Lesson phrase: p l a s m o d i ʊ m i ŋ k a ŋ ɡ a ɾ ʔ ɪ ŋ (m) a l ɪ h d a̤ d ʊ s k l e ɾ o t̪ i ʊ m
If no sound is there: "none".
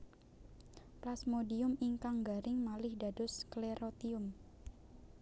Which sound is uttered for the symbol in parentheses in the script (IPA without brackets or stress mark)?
m